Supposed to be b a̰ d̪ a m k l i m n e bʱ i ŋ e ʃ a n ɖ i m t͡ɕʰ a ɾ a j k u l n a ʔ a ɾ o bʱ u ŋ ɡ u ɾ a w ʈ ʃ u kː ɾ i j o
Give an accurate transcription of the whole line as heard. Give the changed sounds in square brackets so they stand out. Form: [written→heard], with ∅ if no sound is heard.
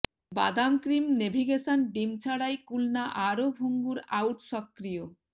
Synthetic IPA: b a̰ d̪ a m k [l→ɾ] i m n e bʱ i [ŋ→ɡ] e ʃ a n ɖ i m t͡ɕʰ a [ɾ→ɽ] a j k u l n a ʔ a ɾ o bʱ u ŋ ɡ u ɾ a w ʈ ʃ [u→ɔ] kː ɾ i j o